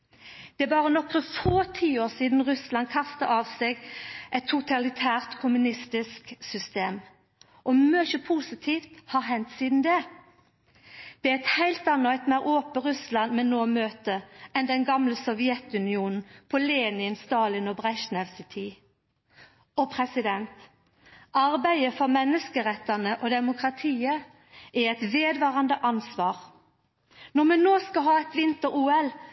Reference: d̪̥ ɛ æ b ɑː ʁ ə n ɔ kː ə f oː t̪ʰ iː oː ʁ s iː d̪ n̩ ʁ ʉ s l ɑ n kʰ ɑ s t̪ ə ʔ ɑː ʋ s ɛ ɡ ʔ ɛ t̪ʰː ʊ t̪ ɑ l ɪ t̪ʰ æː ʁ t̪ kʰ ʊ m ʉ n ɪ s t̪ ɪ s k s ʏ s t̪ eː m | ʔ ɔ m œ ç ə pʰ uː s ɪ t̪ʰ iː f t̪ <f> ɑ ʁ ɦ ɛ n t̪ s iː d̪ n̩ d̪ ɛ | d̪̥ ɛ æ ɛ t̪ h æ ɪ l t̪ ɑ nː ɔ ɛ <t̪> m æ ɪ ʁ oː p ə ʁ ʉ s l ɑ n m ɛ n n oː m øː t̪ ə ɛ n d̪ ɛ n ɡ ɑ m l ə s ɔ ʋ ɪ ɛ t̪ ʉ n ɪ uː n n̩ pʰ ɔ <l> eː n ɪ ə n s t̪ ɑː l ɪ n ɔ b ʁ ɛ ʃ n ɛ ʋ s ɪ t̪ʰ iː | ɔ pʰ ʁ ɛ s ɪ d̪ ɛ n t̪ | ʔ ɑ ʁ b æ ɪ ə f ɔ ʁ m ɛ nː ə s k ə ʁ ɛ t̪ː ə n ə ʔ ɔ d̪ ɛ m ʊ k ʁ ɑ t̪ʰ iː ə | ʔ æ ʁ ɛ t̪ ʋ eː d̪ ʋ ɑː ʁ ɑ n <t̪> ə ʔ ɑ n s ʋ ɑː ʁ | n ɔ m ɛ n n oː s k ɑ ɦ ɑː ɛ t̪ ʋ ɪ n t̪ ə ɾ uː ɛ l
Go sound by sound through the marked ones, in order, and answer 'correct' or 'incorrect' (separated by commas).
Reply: incorrect, correct, correct, incorrect